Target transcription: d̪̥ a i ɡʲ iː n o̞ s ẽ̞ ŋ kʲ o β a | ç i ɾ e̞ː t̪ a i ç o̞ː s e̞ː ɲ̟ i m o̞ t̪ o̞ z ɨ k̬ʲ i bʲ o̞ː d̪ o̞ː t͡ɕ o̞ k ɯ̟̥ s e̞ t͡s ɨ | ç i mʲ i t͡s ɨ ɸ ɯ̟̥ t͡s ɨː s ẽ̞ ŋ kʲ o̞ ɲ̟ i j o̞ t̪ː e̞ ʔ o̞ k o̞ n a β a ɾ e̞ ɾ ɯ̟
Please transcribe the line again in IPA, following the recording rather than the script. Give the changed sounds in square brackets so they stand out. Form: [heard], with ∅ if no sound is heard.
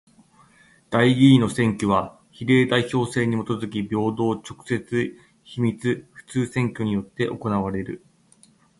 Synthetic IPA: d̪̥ a i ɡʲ iː n o̞ s ẽ̞ ŋ kʲ o β a | ç i ɾ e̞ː [d̪] a i ç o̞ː s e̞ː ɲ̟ i m o̞ t̪ o̞ z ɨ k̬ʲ i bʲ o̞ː d̪ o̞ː t͡ɕ o̞ k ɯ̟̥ s e̞ t͡s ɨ | ç i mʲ i t͡s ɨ ɸ ɯ̟̥ t͡s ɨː s ẽ̞ ŋ kʲ o̞ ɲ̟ i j o̞ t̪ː e̞ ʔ o̞ k o̞ n a β a ɾ e̞ ɾ ɯ̟